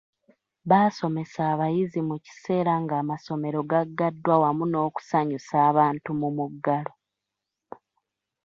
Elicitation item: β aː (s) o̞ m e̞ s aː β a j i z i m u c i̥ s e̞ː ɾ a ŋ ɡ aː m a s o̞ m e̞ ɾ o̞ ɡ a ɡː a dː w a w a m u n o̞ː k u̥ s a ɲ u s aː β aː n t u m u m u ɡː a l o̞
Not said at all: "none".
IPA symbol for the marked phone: s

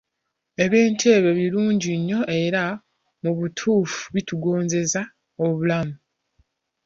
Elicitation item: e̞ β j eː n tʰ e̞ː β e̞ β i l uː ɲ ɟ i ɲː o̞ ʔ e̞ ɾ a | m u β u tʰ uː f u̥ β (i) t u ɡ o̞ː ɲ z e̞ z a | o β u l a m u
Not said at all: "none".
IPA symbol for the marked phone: i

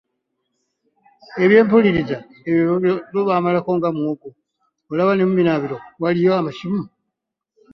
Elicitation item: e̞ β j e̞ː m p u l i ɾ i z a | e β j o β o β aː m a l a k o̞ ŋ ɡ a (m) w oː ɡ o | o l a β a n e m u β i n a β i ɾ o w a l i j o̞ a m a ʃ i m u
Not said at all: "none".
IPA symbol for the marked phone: m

